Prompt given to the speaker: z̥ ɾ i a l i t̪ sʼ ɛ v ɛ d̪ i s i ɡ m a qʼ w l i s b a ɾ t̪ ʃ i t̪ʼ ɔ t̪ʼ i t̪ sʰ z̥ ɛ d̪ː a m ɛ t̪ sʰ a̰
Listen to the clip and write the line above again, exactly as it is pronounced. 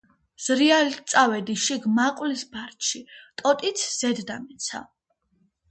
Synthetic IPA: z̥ ɾ i a l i t̪ sʼ a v ɛ d̪ i ʃ i ɡ m a qʼ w l i s b a ɾ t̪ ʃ i t̪ʼ ɔ t̪ʼ i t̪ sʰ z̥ ɛ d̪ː a m ɛ t̪ sʰ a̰